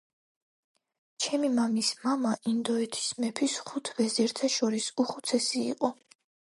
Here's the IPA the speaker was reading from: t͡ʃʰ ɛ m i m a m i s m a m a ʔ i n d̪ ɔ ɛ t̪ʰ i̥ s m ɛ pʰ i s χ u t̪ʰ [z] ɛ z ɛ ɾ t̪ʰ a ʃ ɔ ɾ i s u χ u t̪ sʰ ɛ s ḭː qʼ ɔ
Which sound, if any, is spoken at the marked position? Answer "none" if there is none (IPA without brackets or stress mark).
v